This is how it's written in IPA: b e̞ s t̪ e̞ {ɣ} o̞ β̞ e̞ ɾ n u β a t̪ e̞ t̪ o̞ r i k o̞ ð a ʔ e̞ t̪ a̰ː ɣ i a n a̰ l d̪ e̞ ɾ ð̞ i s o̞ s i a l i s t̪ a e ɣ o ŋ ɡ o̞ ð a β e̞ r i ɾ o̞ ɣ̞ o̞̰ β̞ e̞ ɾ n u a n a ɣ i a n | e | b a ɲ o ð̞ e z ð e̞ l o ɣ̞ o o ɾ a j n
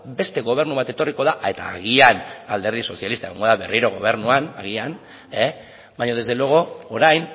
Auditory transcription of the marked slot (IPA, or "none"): ɣ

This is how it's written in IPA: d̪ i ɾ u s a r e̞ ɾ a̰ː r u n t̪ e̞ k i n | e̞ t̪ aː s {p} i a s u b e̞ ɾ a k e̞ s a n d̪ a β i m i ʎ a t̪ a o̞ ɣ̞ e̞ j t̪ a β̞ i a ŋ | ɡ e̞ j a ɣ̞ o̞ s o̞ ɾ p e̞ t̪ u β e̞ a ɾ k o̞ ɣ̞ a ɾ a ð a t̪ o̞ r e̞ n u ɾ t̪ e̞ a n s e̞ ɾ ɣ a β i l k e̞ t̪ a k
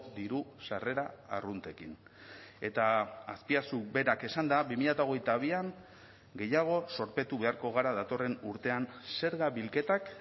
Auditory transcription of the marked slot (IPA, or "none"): p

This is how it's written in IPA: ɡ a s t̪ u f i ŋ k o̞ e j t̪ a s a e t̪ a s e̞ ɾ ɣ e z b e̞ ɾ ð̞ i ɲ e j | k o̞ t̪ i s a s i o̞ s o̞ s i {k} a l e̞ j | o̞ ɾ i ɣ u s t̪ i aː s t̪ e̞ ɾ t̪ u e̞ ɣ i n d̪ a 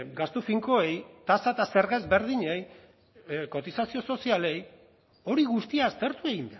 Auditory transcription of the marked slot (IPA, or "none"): none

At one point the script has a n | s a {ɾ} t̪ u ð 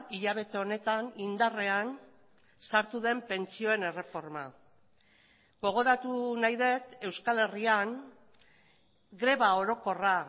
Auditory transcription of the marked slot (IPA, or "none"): ɾ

